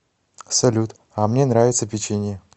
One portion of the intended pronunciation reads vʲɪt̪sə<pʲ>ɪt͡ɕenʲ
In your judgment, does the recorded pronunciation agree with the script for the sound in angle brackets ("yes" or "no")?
yes